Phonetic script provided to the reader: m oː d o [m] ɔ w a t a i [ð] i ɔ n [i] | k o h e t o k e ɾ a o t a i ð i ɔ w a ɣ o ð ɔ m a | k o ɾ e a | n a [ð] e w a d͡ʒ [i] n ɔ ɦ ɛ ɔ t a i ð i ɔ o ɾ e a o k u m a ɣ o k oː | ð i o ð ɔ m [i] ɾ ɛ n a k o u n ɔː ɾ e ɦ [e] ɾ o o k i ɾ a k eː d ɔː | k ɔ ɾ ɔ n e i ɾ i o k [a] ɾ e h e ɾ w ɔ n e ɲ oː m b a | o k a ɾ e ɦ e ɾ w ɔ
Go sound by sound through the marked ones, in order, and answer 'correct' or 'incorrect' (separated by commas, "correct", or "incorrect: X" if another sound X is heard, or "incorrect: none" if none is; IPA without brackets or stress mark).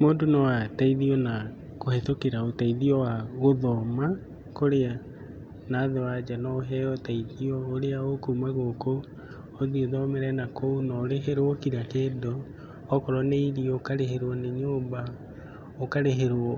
incorrect: n, correct, incorrect: a, correct, incorrect: a, incorrect: ɛ, correct, correct